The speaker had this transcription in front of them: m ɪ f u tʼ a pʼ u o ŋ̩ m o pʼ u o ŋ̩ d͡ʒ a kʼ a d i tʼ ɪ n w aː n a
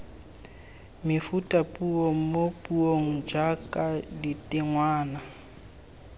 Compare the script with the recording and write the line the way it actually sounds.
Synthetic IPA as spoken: m ɪ f u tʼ a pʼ u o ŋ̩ m o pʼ u o ŋ̩ d͡ʒ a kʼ a d i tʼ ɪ ŋ w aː n a